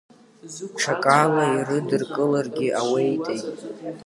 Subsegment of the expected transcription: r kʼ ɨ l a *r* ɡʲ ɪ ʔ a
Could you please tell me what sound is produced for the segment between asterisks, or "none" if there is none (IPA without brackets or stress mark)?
r